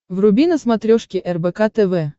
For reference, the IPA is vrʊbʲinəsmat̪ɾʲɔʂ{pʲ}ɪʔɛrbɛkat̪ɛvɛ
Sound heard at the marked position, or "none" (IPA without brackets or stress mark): kʲ